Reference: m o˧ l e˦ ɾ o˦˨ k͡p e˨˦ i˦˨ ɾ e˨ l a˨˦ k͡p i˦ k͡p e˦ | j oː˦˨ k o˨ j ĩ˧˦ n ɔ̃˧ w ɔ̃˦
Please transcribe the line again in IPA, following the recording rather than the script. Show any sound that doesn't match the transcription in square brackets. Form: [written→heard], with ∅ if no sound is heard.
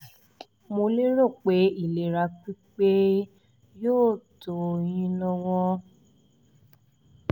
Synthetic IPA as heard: m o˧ l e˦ ɾ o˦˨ k͡p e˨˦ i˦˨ [ɾ→l] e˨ [l→ɾ] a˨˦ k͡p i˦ k͡p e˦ | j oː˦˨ [k→t] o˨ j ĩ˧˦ n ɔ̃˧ w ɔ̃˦